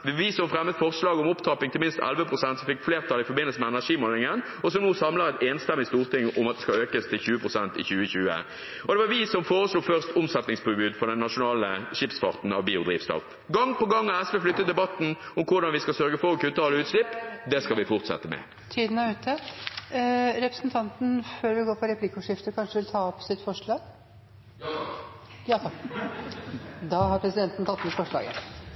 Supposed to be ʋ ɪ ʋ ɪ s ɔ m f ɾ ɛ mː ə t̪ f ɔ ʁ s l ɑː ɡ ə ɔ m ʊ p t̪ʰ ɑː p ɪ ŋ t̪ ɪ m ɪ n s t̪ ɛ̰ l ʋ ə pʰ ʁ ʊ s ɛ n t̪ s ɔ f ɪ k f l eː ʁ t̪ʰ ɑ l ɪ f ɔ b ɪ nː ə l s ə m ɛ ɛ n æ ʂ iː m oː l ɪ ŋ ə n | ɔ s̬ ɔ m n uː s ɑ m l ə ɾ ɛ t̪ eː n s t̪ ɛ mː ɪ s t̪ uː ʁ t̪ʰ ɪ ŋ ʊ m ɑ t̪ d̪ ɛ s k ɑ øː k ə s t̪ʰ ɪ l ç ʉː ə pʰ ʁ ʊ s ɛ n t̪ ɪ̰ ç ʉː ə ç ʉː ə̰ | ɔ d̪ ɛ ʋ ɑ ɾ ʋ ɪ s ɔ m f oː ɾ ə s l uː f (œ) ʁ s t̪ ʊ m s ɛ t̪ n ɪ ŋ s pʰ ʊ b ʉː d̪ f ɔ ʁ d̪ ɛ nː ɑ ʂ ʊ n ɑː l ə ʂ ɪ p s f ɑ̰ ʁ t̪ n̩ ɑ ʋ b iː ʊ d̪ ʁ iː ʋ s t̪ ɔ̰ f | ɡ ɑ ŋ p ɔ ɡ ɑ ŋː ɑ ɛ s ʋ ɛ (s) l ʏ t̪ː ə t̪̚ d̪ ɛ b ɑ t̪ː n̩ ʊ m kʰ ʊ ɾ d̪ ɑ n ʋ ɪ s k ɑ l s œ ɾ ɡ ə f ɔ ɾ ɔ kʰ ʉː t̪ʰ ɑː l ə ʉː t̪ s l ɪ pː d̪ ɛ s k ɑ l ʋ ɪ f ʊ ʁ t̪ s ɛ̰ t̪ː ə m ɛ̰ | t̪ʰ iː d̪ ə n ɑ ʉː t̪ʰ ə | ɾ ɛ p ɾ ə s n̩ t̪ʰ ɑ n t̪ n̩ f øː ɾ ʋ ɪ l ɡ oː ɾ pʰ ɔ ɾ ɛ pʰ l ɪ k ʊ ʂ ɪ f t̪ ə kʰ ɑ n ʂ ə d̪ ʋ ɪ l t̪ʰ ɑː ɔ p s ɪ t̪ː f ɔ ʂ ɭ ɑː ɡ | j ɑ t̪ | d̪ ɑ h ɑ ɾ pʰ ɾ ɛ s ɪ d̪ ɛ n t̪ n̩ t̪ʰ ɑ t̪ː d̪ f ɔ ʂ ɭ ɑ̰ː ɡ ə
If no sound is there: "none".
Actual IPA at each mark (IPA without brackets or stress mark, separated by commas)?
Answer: œ, f